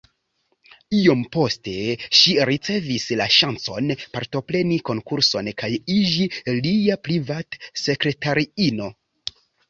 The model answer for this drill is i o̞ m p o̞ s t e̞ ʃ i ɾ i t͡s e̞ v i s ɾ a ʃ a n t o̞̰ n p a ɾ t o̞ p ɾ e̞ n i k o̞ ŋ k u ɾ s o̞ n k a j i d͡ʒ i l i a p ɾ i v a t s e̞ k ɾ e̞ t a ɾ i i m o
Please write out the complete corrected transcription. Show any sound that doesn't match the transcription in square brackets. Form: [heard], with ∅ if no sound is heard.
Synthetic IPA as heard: i o̞ m p o̞ s t e̞ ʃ i ɾ i t͡s e̞ v i s [l] a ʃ a n [t͡s] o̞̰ n p a ɾ t o̞ p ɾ e̞ n i k o̞ ŋ k u ɾ s o̞ n k a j i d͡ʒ i l i a p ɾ i v a t s e̞ k ɾ e̞ t a ɾ i i [n] o